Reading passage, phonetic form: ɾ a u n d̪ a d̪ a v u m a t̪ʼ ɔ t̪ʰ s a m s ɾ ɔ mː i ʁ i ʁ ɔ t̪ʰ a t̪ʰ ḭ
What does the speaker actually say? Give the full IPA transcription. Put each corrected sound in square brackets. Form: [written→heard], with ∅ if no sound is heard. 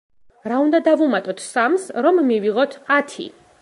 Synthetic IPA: ɾ a u n d̪ a d̪ a v u m a t̪ʼ ɔ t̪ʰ s a m s ɾ ɔ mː i [ʁ→v] i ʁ ɔ t̪ʰ a t̪ʰ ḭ